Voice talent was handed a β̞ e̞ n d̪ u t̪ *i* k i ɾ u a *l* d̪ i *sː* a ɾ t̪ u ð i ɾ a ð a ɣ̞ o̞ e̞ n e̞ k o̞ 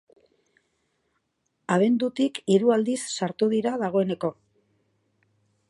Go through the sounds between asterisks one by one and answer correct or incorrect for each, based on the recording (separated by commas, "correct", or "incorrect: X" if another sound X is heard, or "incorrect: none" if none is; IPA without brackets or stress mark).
correct, correct, correct